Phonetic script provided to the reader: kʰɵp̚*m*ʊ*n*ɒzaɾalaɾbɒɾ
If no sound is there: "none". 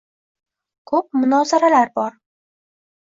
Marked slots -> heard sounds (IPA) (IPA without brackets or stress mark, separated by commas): m, n